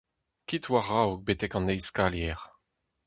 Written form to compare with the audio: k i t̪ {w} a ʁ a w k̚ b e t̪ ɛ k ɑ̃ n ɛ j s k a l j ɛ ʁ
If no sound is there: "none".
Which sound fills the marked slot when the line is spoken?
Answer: w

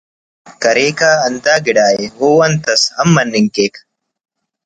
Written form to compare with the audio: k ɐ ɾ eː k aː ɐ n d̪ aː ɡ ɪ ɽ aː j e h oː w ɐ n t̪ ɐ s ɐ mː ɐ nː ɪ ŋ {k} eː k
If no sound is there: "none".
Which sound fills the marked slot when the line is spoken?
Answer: k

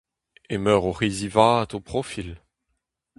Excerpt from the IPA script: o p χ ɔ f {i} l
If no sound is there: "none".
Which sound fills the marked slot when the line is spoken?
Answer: i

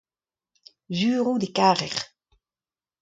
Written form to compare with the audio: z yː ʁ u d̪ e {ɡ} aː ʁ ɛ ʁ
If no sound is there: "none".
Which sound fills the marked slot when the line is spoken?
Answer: k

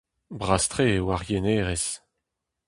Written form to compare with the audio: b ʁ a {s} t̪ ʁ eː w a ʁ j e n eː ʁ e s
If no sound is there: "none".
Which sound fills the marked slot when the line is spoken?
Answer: s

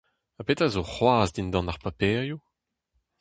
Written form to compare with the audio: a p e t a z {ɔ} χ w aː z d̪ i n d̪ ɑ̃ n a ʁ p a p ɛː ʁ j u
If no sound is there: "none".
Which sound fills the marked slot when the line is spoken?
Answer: o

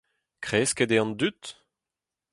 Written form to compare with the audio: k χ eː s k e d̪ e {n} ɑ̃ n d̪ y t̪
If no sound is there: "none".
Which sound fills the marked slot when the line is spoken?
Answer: none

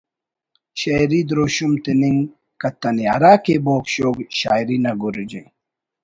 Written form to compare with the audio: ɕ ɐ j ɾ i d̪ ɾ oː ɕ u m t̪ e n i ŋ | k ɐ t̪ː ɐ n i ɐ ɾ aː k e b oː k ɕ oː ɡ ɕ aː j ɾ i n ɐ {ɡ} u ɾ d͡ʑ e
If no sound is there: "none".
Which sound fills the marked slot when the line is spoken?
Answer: ɡ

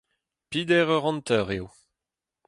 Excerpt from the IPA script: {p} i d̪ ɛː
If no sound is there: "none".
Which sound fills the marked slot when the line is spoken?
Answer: p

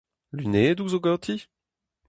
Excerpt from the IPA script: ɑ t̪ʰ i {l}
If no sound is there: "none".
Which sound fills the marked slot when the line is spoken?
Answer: none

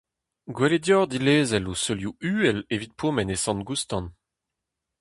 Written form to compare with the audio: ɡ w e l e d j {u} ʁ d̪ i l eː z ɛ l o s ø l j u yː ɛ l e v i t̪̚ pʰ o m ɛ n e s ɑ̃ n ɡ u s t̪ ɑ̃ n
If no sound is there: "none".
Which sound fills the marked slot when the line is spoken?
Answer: ɔ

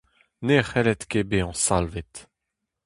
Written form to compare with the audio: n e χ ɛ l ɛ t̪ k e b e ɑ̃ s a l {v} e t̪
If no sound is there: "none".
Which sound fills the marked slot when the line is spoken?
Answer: v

